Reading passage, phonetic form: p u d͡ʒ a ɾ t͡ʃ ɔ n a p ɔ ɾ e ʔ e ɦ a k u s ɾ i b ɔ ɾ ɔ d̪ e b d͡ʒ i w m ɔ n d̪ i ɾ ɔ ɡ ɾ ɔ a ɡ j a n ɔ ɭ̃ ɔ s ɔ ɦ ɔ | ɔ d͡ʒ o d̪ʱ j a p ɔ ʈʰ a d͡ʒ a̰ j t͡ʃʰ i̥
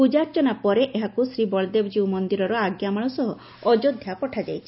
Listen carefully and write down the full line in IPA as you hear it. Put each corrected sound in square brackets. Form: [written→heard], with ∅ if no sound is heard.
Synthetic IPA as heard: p u d͡ʒ a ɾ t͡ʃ ɔ n a p ɔ ɾ e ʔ e ɦ a k u s ɾ i b ɔ [ɾ→ɭ] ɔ d̪ e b d͡ʒ i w m ɔ n d̪ i ɾ ɔ [ɡ→∅] ɾ ɔ a ɡ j a [n→m] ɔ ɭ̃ ɔ s ɔ ɦ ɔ | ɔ d͡ʒ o d̪ʱ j a p ɔ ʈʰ a d͡ʒ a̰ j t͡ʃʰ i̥

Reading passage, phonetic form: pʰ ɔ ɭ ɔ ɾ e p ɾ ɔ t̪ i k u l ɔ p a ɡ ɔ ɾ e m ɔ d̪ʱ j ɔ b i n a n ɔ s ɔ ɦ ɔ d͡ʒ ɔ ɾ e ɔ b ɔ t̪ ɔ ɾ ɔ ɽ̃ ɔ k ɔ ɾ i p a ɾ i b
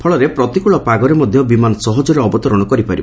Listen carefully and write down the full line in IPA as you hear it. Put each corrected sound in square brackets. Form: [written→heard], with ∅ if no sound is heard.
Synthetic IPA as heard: pʰ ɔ ɭ ɔ ɾ e p ɾ ɔ t̪ i k u [l→ɭ] ɔ p a ɡ ɔ ɾ e m ɔ d̪ʱ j ɔ b i [n→m] a n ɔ s ɔ ɦ ɔ d͡ʒ ɔ ɾ e ɔ b ɔ t̪ ɔ ɾ ɔ ɽ̃ ɔ k ɔ ɾ i p a ɾ i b

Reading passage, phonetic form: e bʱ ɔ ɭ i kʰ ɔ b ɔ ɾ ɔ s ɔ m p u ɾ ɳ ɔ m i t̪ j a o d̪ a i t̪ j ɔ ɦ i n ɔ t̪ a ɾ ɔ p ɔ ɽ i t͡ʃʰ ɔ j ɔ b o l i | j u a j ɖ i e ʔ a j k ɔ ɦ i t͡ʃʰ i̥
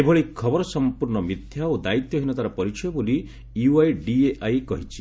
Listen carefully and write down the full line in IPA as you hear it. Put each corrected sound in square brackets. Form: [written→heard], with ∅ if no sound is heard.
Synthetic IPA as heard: e bʱ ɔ ɭ i kʰ ɔ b ɔ ɾ ɔ s ɔ m p u ɾ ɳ ɔ m i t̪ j a o d̪ a i t̪ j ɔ ɦ i n ɔ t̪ a ɾ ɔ p ɔ [ɽ→ɾ] i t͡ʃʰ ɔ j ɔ b o l i | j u a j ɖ i e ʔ a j k ɔ ɦ i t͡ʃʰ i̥

